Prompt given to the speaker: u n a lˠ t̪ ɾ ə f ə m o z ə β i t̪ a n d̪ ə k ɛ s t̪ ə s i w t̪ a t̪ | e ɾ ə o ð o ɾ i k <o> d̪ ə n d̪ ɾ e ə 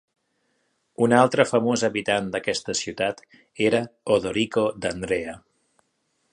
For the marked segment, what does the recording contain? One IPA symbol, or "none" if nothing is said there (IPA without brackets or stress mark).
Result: o